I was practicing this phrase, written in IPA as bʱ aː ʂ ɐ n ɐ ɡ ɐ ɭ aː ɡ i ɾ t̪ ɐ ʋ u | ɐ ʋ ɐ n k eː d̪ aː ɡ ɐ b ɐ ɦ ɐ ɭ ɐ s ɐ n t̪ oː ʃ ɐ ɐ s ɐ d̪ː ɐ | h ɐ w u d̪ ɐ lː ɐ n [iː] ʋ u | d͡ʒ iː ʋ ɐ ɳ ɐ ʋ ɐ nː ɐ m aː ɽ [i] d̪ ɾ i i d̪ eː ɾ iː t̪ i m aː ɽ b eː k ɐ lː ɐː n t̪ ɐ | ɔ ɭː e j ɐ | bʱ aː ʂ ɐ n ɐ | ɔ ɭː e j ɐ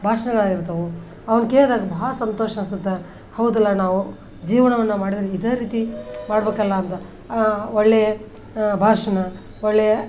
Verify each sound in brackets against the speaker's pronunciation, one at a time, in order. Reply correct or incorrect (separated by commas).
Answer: incorrect, correct